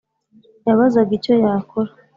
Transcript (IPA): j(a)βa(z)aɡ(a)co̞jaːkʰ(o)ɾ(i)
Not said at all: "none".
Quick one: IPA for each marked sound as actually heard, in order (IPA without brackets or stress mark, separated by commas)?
a, z, i, o, a